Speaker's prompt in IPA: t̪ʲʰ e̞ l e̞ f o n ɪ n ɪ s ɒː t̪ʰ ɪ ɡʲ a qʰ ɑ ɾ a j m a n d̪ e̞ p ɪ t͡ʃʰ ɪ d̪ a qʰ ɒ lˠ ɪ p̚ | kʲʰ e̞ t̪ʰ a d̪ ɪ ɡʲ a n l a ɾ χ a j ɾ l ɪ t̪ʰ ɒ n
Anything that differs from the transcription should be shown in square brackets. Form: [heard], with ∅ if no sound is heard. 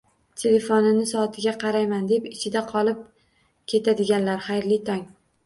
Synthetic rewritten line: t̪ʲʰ e̞ l e̞ f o n ɪ n ɪ s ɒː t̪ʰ ɪ ɡʲ a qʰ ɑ ɾ a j m a n d̪ e̞ p ɪ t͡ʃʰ ɪ d̪ a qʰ ɒ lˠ ɪ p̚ | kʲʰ e̞ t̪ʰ a d̪ ɪ ɡʲ a n l a ɾ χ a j ɾ l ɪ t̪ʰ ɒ [ŋ]